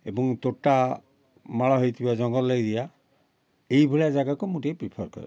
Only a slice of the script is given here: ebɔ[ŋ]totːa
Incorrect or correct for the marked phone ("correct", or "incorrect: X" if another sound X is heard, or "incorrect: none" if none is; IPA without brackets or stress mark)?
correct